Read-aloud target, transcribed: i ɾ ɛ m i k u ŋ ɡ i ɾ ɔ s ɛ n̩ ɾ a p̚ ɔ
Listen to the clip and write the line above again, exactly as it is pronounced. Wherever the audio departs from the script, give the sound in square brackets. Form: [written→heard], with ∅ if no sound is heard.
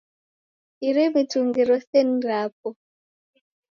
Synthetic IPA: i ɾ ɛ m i [k→t] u ŋ ɡ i ɾ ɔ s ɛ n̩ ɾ a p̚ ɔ